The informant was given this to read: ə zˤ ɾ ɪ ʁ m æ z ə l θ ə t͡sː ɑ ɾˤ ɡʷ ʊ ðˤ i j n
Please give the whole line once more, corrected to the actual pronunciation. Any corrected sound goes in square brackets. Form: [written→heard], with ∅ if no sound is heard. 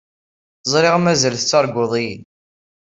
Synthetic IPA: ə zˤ ɾ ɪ ʁ m æ z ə l θ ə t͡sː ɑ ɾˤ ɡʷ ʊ ðˤ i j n